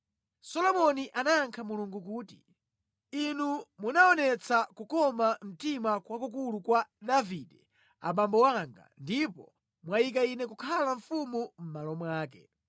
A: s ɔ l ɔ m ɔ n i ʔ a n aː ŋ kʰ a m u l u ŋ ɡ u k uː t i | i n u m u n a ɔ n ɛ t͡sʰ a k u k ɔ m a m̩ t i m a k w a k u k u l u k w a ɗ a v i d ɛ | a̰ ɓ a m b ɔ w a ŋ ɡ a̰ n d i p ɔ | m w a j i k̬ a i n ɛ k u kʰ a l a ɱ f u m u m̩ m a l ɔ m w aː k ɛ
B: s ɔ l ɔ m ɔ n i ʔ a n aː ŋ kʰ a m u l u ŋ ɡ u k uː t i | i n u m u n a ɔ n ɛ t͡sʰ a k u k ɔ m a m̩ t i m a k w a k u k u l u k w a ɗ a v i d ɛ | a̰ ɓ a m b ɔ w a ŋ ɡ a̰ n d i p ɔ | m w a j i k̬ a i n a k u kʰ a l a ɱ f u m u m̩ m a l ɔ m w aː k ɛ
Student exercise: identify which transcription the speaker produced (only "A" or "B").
A